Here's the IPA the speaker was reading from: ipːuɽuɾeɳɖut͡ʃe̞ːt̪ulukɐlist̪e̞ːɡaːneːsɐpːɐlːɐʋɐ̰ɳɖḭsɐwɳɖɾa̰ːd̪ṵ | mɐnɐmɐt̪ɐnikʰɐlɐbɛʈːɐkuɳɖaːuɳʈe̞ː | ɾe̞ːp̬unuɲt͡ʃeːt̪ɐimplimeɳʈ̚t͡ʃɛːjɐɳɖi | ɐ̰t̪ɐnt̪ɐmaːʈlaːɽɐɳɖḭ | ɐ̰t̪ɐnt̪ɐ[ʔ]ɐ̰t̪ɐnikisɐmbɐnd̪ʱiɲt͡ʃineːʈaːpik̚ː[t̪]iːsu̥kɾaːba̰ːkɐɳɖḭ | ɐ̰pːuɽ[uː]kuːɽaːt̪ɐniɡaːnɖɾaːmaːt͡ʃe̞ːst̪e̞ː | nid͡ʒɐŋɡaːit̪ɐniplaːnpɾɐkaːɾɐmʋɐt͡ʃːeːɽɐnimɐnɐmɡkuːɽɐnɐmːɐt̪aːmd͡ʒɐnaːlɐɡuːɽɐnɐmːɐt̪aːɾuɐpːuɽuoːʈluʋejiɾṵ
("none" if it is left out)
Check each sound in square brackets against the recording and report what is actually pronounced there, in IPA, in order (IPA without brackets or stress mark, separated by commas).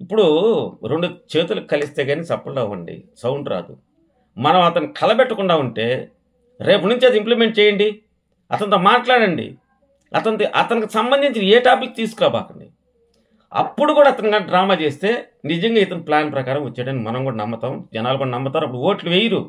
ʔ, t̪, u